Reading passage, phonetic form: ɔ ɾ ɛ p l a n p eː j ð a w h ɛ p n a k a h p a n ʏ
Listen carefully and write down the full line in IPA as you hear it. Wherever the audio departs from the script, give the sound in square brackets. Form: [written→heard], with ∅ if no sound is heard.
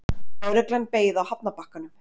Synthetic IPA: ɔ ɾ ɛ [p→k] l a n p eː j ð a w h [ɛ→a] p n a [k→p] a h [p→k] a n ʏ